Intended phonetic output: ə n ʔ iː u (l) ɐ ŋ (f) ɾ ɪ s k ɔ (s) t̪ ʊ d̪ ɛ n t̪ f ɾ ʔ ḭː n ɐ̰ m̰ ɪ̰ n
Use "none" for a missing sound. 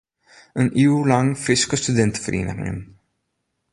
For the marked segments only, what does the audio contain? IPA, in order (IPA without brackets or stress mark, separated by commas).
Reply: l, f, s